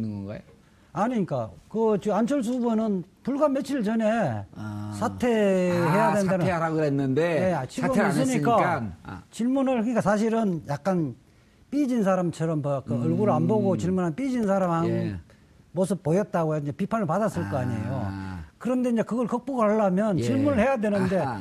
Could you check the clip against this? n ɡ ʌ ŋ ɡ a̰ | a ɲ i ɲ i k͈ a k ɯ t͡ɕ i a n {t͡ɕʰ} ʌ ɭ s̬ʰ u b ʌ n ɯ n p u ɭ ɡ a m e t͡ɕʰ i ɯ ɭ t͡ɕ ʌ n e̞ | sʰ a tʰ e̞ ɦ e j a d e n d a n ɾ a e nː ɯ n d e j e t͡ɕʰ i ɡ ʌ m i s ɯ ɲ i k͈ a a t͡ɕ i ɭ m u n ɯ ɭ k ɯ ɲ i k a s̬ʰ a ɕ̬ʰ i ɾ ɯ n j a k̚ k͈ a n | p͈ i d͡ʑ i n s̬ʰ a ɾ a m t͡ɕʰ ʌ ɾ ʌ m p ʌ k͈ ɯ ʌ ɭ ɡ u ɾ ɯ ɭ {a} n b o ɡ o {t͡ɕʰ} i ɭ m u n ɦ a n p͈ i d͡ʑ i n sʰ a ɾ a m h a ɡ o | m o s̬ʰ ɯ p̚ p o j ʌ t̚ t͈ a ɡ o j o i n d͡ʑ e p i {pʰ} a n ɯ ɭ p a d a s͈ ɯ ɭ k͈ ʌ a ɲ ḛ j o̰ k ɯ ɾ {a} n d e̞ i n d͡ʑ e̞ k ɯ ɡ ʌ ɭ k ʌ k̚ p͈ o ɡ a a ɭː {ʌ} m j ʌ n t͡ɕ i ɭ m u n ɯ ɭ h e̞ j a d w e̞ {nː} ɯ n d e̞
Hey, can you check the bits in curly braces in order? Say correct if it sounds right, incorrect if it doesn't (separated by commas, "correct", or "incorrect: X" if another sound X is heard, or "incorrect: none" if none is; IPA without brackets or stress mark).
correct, correct, incorrect: t͡ɕ, correct, incorrect: ʌ, incorrect: a, incorrect: n